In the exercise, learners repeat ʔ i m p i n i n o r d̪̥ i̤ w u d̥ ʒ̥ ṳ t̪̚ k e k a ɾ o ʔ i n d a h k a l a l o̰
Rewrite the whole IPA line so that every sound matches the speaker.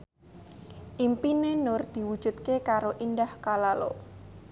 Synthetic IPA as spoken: ʔ i m p i n e n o r d̪̥ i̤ w u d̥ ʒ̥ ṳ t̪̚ k e k a ɾ o ʔ i n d a h k a l a l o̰